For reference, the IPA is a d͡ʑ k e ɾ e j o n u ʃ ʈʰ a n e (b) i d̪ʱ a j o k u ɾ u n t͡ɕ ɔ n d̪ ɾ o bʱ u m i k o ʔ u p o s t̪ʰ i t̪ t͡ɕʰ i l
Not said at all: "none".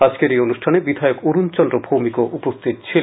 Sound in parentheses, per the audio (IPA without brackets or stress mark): b